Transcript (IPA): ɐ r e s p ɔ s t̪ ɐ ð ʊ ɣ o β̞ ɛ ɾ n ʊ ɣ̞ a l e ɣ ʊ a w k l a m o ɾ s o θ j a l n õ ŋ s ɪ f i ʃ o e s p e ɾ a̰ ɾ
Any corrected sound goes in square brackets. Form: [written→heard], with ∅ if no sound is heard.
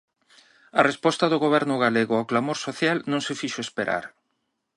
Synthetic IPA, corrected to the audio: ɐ r e s p ɔ s t̪ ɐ ð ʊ ɣ o β̞ ɛ ɾ n ʊ ɣ̞ a l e ɣ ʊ a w k l a m o ɾ s o θ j a l n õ ŋ s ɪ f i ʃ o e s p e ɾ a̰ ɾ